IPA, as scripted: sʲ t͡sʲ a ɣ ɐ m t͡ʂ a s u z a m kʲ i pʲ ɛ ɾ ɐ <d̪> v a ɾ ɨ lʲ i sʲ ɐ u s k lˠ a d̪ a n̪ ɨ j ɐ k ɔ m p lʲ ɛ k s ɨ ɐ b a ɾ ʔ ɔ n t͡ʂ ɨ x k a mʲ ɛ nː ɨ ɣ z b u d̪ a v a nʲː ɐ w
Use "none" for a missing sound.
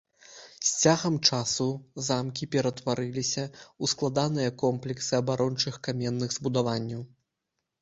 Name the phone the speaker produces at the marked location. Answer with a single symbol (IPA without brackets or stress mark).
t̪